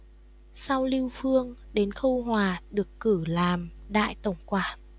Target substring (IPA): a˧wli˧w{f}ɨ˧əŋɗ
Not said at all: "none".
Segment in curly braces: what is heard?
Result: f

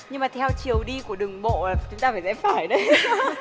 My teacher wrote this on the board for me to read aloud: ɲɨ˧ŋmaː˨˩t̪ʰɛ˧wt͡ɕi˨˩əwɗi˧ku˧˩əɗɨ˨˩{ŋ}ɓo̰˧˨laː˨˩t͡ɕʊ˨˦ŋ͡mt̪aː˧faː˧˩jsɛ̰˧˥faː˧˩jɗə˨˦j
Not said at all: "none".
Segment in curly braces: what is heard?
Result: ŋ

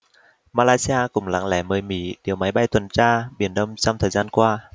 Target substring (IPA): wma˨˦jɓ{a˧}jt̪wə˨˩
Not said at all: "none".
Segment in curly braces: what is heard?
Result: a˧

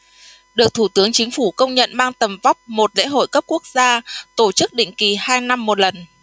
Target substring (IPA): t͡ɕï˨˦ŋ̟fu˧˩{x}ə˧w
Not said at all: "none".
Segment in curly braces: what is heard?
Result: k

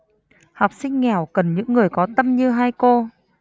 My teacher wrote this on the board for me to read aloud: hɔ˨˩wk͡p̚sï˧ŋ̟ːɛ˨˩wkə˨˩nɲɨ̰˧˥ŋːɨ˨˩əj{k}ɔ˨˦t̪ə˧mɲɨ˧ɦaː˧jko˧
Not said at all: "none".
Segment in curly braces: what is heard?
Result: k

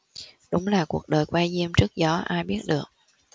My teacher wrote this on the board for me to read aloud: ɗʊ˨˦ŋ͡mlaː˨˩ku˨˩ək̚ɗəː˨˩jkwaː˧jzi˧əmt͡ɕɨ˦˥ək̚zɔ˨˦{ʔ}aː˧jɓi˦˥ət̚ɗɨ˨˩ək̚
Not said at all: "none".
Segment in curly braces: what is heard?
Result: ʔ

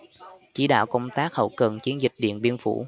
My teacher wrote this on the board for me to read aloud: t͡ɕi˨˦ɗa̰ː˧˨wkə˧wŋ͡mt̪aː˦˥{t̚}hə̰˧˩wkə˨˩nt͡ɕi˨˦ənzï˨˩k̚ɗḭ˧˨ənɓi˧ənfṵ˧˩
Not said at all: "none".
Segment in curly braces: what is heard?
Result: k̚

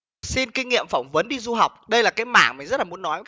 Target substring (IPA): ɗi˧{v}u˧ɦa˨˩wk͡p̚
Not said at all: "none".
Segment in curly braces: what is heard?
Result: z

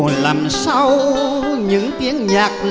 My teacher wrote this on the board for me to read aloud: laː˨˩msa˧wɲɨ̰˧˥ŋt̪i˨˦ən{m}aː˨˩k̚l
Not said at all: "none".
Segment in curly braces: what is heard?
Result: ɲ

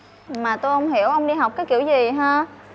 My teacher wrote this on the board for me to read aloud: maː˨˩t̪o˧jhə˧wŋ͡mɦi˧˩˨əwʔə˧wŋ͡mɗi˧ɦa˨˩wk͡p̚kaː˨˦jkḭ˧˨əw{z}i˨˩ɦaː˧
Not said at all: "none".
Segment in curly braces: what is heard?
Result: z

